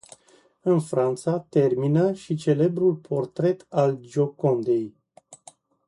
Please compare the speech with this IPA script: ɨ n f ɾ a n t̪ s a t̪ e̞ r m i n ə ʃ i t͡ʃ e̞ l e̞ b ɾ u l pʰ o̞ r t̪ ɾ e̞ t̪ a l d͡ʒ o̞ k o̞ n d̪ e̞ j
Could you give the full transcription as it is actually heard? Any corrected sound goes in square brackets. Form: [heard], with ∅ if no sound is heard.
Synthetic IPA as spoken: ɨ n f ɾ a n t̪ s a t̪ e̞ r m i n ə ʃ i t͡ʃ e̞ l e̞ b ɾ u l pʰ o̞ r t̪ ɾ e̞ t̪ a l d͡ʒ o̞ k o̞ n d̪ e̞ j